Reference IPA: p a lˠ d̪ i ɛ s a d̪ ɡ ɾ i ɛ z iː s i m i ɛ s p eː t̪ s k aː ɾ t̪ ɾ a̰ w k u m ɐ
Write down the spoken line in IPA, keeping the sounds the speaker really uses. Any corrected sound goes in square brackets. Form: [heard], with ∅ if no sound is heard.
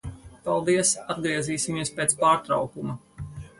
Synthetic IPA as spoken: p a lˠ d̪ i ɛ s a d̪ ɡ ɾ i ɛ z iː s i m i ɛ s p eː t̪ s [p] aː ɾ t̪ ɾ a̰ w k u m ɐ